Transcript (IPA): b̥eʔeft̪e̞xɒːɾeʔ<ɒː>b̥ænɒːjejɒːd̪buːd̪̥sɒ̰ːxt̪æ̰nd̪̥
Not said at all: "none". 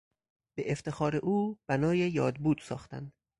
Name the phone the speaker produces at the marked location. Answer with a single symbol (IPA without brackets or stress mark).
uː